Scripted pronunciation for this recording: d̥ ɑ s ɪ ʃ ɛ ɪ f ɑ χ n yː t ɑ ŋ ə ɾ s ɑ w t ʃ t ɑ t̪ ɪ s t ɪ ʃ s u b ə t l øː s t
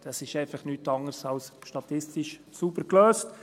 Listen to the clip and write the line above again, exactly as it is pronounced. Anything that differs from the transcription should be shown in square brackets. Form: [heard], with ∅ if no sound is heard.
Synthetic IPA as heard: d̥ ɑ s ɪ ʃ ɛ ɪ f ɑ χ n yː t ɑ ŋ ə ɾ s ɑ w [s] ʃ t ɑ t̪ ɪ s t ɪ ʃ s u b ə [k] l øː s t

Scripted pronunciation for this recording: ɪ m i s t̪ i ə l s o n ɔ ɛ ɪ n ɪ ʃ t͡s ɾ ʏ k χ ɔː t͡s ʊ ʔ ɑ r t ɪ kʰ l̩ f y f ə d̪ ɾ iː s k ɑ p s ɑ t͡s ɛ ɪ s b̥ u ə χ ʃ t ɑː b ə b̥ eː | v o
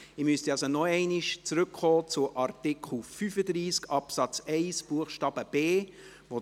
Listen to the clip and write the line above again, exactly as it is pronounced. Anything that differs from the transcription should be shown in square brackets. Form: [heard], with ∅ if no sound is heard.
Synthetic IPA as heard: ɪ m [y] s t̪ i [ɑ] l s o n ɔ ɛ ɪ n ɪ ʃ t͡s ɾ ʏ k χ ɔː t͡s ʊ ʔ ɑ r t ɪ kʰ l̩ f y f ə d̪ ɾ iː s k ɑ p s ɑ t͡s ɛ ɪ s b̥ u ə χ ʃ t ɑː b ə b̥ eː | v o

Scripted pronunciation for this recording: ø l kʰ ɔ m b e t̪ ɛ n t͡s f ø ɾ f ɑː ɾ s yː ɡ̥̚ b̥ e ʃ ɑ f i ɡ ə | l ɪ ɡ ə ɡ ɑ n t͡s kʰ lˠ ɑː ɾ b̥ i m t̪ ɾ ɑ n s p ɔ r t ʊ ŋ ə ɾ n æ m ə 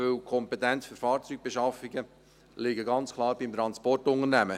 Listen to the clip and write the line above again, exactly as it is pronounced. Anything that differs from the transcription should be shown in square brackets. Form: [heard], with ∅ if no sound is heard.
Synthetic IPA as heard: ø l kʰ ɔ m [p] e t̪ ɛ n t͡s f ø ɾ f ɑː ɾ [t͡s] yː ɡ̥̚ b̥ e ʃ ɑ f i ɡ ə | l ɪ ɡ ə ɡ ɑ n t͡s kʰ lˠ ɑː ɾ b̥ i m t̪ ɾ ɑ n s p ɔ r t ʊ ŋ ə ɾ n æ m ə

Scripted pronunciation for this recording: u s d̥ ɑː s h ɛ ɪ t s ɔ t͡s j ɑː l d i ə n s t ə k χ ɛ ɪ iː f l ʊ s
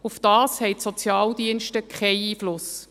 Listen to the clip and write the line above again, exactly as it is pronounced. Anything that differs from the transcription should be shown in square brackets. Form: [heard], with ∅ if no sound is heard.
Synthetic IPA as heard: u [f] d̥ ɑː s h ɛ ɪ t s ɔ t͡s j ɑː l d i ə n [ʃ] t ə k χ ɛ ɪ iː f l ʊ s

